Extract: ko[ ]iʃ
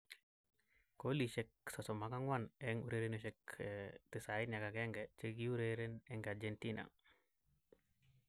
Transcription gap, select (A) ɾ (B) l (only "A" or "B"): B